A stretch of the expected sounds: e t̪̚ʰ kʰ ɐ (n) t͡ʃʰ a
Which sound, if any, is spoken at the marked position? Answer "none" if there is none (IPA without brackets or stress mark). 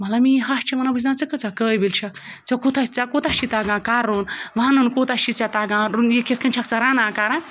n